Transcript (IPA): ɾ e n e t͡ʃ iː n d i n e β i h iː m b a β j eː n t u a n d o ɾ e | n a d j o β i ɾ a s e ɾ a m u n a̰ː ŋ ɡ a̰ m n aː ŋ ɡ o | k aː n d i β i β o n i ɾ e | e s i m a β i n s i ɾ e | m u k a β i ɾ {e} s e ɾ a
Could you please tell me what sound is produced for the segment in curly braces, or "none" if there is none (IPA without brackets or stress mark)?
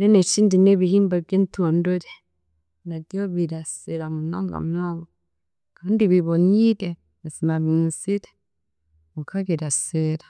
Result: a